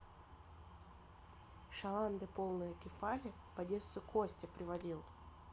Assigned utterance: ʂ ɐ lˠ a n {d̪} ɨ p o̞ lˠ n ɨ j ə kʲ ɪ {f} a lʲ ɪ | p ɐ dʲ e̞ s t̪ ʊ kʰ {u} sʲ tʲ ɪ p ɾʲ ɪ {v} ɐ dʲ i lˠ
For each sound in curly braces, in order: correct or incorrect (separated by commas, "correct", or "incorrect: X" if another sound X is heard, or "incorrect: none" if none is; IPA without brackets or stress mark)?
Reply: correct, correct, incorrect: o, correct